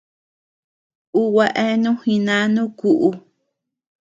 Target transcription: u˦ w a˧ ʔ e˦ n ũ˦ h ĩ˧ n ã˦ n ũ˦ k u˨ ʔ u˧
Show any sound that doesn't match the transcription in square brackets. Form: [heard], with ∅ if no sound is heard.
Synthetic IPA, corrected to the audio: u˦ w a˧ ʔ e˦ n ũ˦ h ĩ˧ n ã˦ n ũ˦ k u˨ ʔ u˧